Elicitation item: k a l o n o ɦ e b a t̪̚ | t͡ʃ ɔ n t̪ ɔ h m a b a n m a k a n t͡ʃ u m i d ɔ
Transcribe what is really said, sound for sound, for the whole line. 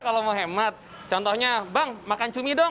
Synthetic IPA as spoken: k a l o m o ɦ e m a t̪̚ | t͡ʃ ɔ n t̪ ɔ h ɲ a b a ŋ m a k a n t͡ʃ u m i d ɔ